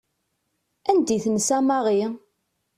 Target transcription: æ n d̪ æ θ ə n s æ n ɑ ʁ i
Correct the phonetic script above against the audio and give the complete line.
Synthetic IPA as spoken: æ n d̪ i θ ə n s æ m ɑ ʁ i